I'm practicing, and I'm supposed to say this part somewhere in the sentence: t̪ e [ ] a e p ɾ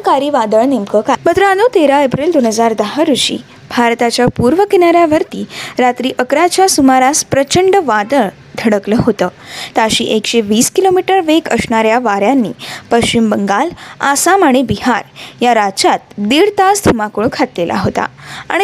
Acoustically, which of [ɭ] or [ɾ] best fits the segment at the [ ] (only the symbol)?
ɾ